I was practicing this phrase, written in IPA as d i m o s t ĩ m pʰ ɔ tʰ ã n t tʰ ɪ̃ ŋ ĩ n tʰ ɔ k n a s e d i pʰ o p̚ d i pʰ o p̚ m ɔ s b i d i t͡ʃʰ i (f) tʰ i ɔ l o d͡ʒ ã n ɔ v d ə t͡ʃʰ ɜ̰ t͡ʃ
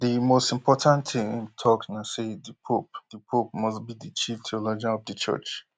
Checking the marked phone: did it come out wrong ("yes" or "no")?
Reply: no